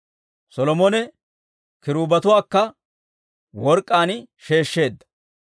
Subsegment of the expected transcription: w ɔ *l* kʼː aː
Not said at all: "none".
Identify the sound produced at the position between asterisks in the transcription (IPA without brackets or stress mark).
ɾ